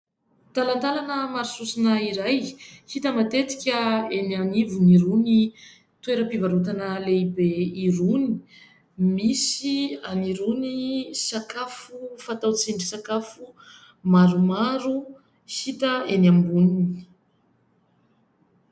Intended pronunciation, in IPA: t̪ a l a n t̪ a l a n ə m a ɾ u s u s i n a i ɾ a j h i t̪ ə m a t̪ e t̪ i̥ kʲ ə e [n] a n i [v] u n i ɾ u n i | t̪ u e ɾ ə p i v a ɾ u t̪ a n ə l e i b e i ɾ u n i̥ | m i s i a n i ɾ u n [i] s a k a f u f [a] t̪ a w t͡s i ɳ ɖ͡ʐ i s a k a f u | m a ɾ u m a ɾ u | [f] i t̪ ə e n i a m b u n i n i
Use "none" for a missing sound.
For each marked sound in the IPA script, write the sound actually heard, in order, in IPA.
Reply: n, v, i, a, h

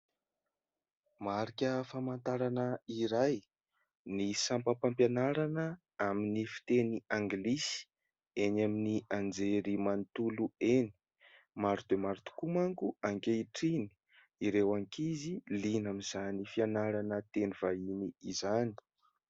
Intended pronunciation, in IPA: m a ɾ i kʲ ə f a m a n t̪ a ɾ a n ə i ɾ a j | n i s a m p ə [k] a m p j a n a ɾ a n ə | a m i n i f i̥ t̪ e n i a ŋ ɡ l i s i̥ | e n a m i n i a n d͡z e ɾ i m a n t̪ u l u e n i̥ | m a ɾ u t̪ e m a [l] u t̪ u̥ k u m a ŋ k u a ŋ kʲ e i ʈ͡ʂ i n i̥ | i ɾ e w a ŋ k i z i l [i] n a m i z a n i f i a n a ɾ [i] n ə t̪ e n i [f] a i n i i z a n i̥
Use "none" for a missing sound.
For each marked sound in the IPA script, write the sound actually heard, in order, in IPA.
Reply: p, ɾ, i, a, v

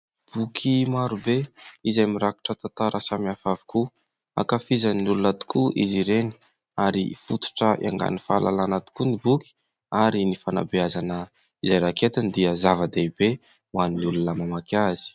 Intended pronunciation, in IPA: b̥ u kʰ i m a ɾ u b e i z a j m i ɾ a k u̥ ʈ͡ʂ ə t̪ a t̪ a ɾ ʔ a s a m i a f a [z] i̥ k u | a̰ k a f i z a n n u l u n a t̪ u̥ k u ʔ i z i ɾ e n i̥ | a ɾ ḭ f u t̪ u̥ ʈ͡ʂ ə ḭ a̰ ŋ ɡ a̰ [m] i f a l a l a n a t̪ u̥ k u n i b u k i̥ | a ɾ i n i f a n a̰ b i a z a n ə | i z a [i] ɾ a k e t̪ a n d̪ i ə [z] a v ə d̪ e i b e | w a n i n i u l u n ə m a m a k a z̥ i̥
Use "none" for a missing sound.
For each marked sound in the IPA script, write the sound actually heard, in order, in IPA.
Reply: v, n, j, z

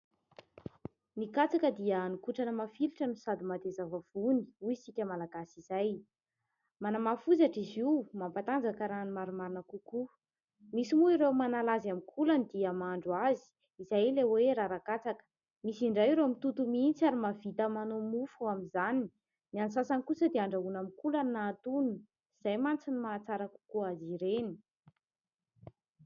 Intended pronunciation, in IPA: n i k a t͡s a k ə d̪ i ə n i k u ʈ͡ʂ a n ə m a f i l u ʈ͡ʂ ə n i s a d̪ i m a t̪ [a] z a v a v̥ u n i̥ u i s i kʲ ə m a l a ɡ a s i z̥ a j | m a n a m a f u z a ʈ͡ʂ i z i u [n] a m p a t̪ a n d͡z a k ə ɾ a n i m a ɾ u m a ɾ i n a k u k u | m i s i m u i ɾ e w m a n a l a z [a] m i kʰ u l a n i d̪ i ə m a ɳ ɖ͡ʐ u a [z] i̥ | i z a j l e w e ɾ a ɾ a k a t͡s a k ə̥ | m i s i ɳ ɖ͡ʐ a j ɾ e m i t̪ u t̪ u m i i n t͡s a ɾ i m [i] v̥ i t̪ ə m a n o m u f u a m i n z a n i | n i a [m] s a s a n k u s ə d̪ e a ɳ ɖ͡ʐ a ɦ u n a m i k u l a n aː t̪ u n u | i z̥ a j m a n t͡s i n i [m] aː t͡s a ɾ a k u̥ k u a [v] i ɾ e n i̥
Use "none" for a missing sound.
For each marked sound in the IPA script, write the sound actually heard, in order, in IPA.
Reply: e, m, a, z, a, n, m, z

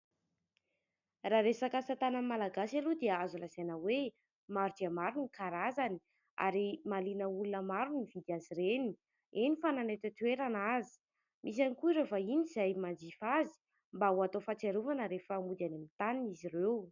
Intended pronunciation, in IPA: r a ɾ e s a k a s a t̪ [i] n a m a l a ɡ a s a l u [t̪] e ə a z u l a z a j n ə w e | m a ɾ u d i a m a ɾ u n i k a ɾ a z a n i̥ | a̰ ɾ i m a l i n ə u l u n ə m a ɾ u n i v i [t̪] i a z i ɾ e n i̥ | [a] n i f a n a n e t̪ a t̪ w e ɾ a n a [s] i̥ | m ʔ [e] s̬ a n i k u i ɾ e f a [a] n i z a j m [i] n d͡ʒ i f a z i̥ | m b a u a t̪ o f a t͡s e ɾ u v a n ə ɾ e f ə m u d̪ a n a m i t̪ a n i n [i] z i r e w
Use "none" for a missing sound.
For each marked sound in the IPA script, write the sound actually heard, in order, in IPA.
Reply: a, d̪, d̪, e, z, i, i, a, i

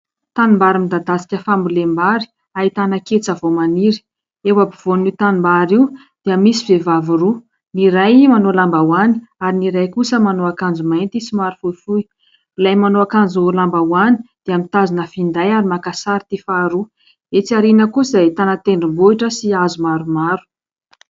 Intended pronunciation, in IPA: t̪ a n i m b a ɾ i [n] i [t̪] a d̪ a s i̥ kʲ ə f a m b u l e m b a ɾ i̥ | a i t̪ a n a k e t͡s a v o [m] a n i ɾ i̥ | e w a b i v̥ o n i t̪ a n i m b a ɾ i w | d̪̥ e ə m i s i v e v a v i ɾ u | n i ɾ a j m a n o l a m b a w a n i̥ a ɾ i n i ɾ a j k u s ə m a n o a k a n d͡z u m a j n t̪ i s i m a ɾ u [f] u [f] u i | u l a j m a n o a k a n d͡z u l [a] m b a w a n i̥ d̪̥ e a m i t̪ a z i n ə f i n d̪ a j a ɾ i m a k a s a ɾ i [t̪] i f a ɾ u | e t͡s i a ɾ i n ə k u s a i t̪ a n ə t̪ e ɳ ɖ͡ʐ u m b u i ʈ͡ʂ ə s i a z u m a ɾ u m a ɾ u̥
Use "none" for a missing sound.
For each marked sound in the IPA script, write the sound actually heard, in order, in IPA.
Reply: m, d̪, m, f, f, a, t̪

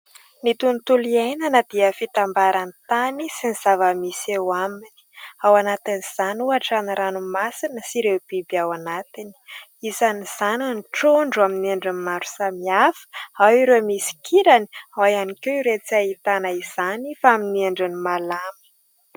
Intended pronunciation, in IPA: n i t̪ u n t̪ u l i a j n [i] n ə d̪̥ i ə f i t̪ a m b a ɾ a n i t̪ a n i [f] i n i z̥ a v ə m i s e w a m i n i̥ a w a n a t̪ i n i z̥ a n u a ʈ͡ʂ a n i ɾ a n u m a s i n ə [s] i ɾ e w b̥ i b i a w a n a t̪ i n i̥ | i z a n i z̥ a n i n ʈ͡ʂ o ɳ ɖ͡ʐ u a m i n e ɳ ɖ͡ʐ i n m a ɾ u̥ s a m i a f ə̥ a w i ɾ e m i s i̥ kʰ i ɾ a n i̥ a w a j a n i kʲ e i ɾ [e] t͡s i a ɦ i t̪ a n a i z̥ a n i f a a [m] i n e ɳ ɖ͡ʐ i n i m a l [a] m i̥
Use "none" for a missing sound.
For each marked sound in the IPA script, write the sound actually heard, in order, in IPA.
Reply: a, s, s, e, m, a

